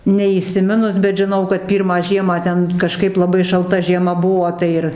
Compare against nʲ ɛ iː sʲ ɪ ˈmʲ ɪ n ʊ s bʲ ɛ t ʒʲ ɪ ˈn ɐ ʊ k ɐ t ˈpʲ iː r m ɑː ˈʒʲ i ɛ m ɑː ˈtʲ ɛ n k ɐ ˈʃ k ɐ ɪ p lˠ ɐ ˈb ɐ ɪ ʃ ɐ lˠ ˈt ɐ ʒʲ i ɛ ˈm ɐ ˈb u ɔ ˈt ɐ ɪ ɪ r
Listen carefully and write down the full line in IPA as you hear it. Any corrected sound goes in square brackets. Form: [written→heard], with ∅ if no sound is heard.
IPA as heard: nʲ ɛ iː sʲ ɪ ˈmʲ ɪ n ʊ s bʲ ɛ t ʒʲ ɪ ˈn ɐ ʊ k ɐ t ˈpʲ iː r m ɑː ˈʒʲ i ɛ m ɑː ˈtʲ ɛ n k ɐ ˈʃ k ɐ ɪ p lˠ ɐ ˈb ɐ ɪ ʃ ɐ lˠ ˈt ɐ ʒʲ i ɛ ˈm ɐ ˈb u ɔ ˈt ɐ ɪ ɪ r